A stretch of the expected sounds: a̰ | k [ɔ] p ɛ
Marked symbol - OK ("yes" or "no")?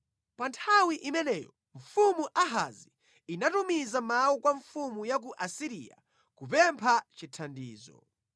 no